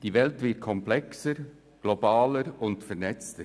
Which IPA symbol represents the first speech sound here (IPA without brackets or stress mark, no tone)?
d̥